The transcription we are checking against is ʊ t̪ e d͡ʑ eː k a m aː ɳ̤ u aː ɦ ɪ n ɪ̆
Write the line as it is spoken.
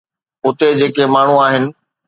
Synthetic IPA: ʊ t̪ e d͡ʑ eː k e m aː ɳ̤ u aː ɦ ɪ n ɪ̆